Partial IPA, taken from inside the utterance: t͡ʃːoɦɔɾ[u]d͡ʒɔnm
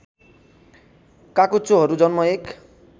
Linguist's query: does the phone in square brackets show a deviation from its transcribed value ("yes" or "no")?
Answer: no